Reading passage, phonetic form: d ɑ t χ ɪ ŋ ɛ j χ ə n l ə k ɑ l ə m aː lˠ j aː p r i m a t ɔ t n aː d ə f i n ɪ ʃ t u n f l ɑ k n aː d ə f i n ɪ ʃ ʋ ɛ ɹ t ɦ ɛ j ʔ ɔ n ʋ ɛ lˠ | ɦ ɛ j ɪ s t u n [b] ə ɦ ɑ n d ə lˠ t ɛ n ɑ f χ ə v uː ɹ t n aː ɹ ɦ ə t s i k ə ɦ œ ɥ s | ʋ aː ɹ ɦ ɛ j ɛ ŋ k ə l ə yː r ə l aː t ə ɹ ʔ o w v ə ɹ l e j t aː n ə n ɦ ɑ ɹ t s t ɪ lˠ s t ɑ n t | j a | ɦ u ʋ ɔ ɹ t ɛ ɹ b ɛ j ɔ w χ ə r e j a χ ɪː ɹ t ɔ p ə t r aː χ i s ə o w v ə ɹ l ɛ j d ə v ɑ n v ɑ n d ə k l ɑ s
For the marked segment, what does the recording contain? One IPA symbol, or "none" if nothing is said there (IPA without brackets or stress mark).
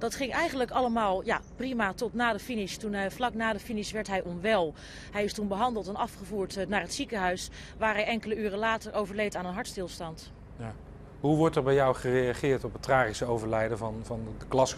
b